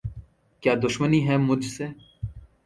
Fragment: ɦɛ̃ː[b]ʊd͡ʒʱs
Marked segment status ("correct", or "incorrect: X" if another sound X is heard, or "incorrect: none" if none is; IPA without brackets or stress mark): incorrect: m